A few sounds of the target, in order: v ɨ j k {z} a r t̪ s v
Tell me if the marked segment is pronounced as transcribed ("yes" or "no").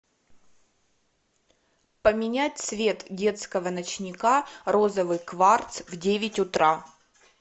no